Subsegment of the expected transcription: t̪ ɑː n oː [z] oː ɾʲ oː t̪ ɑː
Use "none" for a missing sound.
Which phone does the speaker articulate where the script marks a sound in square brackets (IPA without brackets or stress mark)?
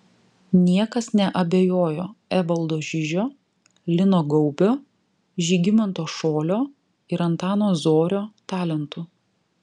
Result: z